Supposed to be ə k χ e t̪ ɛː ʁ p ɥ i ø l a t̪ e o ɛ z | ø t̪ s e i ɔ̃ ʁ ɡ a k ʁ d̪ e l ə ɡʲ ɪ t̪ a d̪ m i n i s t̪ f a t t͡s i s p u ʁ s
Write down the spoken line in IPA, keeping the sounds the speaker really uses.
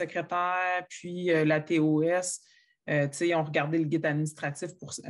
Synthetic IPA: ə k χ e t̪ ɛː ʁ p ɥ i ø l a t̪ e o ɛ s | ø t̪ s e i ɔ̃ ʁ ɡ a ʁ d̪ e l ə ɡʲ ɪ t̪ a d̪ m i n i s t̪ χ a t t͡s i f p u ʁ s